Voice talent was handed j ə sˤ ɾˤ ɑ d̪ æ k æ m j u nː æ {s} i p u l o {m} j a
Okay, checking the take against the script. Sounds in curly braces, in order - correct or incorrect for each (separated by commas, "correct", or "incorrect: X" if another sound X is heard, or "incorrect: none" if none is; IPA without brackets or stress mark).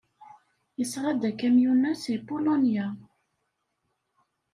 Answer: correct, incorrect: n